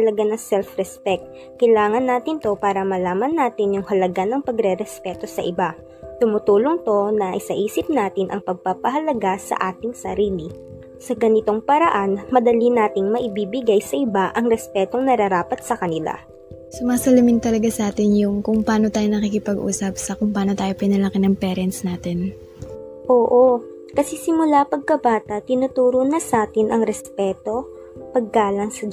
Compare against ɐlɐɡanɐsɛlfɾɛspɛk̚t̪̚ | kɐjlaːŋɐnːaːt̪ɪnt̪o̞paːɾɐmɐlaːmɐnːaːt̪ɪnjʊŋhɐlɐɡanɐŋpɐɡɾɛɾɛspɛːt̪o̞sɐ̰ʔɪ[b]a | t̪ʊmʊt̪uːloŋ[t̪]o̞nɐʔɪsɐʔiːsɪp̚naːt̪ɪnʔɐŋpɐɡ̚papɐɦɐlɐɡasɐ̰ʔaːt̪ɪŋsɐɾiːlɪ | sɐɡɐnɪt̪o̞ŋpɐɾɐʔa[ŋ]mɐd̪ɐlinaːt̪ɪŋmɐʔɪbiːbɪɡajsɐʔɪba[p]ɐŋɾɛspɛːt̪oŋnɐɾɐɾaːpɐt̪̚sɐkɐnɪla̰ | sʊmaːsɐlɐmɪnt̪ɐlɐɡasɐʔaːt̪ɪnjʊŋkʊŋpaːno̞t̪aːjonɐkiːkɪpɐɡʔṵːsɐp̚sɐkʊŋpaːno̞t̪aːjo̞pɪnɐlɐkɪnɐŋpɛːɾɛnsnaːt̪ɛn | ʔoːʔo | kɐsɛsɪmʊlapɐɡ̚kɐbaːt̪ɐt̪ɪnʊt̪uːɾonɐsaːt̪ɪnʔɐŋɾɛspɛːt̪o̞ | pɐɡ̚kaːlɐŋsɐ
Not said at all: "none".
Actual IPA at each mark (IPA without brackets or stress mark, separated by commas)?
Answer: b, t̪, n, ʔ